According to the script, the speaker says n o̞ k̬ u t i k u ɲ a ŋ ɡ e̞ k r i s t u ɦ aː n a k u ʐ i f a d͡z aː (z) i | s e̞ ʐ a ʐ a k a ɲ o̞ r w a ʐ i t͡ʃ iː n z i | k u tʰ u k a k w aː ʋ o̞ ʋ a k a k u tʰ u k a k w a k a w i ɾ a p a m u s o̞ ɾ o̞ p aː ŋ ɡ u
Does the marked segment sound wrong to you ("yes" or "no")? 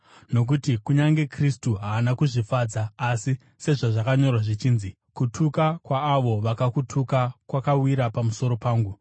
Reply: yes